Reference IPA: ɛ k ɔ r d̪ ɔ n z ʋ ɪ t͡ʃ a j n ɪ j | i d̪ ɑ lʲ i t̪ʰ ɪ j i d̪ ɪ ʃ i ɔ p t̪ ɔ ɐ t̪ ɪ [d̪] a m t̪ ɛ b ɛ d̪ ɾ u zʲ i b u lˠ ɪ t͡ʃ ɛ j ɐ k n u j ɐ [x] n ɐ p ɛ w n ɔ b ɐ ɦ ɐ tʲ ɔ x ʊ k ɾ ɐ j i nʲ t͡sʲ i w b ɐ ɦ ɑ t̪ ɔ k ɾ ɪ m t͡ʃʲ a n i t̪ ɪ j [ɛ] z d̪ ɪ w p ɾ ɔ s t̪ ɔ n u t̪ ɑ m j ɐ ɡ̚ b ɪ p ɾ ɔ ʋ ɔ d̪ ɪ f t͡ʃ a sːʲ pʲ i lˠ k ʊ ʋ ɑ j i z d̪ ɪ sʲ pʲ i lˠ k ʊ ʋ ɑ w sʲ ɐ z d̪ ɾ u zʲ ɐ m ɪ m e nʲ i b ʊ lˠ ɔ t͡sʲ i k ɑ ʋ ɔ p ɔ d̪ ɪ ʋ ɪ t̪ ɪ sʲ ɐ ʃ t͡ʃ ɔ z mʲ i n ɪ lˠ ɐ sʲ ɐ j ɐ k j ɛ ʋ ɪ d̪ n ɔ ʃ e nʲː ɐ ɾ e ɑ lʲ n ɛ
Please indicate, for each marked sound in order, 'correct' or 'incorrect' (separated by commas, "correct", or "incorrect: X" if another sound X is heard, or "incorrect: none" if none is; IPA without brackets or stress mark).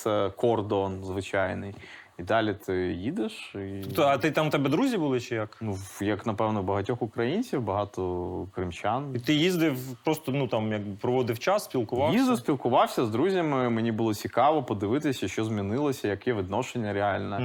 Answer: incorrect: t̪, incorrect: k, incorrect: i